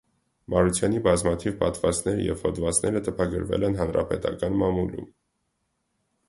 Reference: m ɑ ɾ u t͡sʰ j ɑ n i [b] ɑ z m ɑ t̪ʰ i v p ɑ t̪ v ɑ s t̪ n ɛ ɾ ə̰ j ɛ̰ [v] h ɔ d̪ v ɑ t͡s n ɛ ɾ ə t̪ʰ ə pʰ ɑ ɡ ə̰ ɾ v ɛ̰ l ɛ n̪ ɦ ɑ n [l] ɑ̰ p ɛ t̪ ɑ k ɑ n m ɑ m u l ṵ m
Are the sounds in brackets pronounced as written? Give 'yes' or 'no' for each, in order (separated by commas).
yes, yes, no